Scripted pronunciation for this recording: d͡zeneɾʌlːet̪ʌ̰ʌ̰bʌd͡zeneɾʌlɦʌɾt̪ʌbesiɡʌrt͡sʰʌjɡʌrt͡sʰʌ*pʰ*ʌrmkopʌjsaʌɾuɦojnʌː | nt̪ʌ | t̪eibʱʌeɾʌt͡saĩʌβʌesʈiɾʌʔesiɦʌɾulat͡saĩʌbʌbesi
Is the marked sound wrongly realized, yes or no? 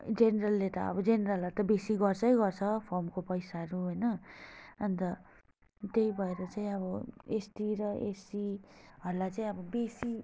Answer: no